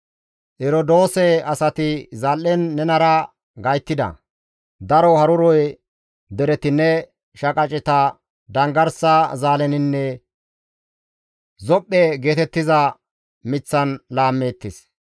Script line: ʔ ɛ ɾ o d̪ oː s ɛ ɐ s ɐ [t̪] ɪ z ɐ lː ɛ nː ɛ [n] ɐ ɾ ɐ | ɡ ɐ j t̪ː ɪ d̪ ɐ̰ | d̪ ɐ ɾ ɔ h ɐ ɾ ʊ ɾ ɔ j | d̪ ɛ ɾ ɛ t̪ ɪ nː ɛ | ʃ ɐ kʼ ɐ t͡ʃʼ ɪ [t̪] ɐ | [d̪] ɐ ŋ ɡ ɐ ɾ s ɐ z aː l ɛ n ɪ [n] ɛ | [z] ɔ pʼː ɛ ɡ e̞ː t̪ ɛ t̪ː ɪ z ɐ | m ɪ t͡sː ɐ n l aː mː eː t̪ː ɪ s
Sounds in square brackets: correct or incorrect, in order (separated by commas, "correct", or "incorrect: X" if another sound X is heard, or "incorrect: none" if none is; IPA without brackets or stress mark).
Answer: correct, correct, correct, correct, incorrect: nː, correct